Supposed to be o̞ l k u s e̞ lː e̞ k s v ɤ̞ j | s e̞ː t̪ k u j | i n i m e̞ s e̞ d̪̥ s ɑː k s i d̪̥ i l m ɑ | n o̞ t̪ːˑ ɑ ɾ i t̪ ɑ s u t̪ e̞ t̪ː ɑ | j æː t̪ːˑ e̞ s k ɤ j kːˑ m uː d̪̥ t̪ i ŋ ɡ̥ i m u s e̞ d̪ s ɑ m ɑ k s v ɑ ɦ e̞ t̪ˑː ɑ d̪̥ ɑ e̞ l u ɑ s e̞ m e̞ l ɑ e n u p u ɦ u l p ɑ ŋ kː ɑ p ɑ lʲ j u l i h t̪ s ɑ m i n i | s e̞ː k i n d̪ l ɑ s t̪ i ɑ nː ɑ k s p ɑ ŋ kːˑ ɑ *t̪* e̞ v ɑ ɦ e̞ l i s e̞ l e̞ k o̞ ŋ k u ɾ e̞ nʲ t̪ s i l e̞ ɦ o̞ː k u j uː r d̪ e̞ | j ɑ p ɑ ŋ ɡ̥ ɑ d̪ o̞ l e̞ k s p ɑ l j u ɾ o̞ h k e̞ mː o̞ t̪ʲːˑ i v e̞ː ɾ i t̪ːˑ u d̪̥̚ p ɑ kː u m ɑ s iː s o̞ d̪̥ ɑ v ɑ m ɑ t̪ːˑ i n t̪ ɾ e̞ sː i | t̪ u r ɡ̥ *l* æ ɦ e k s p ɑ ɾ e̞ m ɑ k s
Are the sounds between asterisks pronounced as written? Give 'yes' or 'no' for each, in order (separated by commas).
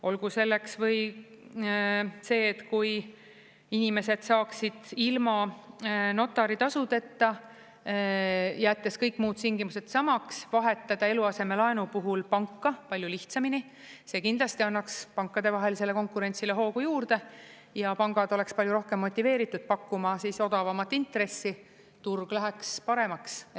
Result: no, yes